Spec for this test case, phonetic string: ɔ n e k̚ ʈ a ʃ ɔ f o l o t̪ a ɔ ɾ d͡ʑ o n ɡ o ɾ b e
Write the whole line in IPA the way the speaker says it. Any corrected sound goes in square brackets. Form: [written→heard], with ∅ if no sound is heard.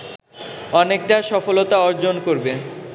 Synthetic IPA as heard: ɔ n e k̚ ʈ a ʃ ɔ f o l o t̪ a ɔ ɾ d͡ʑ o n [ɡ→k] o ɾ b e